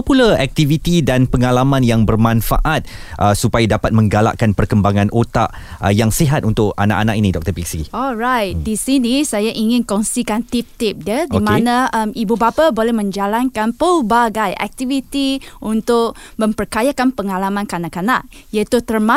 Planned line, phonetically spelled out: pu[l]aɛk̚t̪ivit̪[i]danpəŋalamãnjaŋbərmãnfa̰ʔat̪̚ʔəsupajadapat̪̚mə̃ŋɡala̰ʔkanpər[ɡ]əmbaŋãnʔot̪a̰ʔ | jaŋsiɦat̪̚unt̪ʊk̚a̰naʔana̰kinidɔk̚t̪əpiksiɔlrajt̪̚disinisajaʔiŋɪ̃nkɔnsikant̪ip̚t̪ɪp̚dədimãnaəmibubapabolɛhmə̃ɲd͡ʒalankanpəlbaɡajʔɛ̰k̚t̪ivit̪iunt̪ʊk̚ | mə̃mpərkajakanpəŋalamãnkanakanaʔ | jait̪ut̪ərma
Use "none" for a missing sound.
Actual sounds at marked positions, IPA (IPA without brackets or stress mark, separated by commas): l, i, k